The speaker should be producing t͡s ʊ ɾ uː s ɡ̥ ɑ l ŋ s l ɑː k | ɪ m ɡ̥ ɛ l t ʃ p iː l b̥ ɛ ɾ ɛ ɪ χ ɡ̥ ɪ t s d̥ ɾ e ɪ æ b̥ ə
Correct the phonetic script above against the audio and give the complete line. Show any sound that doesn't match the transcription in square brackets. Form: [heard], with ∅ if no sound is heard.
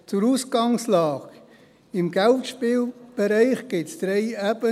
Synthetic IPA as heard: t͡s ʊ ɾ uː s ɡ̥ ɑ [∅] ŋ s l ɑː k | ɪ m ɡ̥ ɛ l t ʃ p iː l b̥ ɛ ɾ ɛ ɪ χ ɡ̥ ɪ t s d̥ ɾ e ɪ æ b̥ ə